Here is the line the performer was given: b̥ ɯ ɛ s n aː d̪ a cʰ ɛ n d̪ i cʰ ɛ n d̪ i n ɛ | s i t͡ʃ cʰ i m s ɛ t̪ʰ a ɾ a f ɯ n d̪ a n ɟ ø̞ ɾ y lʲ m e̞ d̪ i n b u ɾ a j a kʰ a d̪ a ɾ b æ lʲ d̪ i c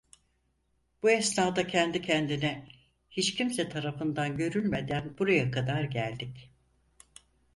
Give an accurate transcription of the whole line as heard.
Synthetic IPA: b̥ u ɛ s n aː d̪ a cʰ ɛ n d̪ i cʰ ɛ n d̪ i n ɛ | h i t͡ʃ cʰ i m s ɛ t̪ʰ a ɾ a f ɯ n d̪ a n ɟ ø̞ ɾ y lʲ m e̞ d̪ æ n b u ɾ a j a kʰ a d̪ a ɾ ɟ æ lʲ d̪ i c